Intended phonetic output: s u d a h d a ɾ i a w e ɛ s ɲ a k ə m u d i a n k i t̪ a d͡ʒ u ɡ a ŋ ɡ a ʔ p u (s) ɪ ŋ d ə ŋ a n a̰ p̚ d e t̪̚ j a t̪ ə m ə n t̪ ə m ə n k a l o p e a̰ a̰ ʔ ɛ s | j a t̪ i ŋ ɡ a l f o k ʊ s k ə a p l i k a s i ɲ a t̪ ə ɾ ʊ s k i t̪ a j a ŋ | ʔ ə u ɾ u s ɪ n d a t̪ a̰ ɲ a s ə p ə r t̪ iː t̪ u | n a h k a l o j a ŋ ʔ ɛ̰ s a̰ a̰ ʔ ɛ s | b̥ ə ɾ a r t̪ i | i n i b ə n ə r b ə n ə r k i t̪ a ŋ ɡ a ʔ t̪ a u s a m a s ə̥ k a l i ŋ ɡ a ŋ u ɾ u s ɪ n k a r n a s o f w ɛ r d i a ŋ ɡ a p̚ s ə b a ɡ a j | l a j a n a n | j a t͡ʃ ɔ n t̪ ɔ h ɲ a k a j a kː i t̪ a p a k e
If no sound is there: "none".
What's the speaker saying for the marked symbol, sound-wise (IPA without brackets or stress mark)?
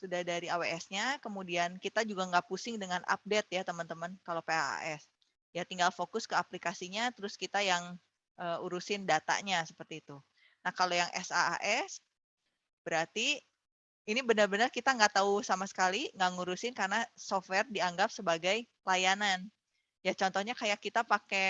s